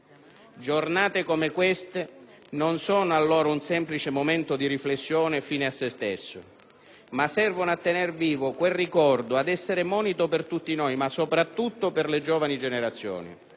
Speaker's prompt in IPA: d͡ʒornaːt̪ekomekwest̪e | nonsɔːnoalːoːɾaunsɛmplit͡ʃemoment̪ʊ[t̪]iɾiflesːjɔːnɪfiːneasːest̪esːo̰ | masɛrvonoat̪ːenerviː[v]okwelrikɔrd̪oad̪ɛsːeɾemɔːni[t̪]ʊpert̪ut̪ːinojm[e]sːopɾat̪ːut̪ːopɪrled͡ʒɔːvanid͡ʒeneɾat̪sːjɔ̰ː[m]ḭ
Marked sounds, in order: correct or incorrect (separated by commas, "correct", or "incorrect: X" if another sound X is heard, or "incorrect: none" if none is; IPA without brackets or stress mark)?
incorrect: d̪, correct, correct, incorrect: a, incorrect: n